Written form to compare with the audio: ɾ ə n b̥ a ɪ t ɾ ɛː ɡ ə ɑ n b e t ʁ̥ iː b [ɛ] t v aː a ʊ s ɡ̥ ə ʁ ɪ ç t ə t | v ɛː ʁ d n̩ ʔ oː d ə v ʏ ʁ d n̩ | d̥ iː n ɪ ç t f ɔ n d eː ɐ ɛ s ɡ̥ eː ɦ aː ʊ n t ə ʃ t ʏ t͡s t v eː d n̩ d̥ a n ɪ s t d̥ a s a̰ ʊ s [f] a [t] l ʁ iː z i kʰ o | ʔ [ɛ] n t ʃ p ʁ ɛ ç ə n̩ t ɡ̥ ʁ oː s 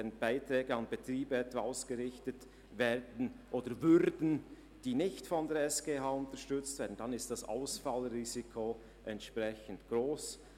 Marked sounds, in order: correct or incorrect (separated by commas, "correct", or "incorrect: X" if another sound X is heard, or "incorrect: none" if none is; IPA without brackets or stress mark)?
correct, correct, incorrect: none, correct